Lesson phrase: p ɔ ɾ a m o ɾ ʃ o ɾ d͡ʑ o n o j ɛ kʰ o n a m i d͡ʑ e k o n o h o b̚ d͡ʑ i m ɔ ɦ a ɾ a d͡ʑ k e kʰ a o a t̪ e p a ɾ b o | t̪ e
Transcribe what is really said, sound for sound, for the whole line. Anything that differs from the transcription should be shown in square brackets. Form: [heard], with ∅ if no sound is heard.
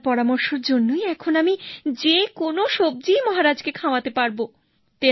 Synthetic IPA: p ɔ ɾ a m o ɾ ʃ o ɾ d͡ʑ o [nː] o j ɛ kʰ o n a m i d͡ʑ e k o n o [ʃ] o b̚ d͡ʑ i m ɔ ɦ a ɾ a d͡ʑ k e kʰ a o a t̪ e p a ɾ b o | t̪ e

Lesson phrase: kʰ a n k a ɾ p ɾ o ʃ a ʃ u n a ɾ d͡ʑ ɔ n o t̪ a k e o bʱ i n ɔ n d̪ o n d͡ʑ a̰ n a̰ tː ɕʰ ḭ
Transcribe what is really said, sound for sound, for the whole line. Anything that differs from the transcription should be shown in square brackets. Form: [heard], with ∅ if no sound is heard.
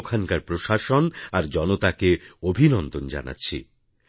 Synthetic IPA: kʰ a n k a ɾ p ɾ o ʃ a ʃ [o] n a ɾ d͡ʑ ɔ n o t̪ a k e o bʱ i n ɔ n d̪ o n d͡ʑ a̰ n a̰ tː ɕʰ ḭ

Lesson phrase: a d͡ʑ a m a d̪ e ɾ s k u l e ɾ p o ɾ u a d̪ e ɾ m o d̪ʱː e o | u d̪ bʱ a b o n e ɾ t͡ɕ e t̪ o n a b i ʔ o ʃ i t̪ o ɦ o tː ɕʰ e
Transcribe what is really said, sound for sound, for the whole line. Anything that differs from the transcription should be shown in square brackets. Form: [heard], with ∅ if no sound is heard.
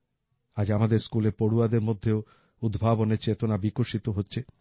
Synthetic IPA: a d͡ʑ a m a d̪ e ɾ s k u l e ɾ p o [ɽ] u a d̪ e ɾ m o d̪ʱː e o | u d̪ bʱ a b o n e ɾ t͡ɕ e t̪ o n a b i [k] o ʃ i t̪ o ɦ o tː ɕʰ e

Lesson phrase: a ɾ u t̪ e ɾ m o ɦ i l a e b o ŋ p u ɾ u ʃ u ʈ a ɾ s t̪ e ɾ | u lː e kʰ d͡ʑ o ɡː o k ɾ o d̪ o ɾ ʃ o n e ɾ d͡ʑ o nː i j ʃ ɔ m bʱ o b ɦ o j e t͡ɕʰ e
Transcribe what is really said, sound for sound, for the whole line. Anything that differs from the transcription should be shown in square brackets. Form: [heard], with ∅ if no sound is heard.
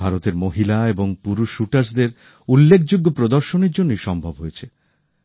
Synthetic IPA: a ɾ [o] t̪ e ɾ m o ɦ i l a e b o ŋ p u ɾ u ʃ u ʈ a ɾ s [d̪] e ɾ | u lː e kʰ d͡ʑ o ɡː o [p] ɾ o d̪ o ɾ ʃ o n e ɾ d͡ʑ o nː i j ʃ ɔ m bʱ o b ɦ o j e t͡ɕʰ e

